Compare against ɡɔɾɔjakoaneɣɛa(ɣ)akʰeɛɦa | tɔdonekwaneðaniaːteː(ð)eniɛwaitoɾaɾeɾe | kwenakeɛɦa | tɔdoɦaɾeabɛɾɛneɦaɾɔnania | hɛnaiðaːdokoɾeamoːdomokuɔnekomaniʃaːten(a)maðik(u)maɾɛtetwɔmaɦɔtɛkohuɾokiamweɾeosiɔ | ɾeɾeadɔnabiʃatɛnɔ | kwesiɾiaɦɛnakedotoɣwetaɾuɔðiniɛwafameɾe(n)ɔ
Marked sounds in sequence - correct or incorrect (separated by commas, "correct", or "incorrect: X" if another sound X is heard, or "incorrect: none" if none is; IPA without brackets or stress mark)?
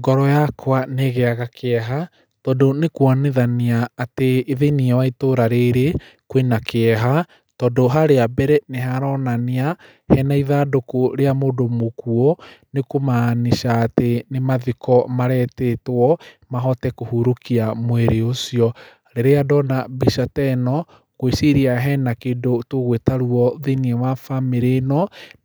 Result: correct, correct, incorrect: e, incorrect: ɔ, correct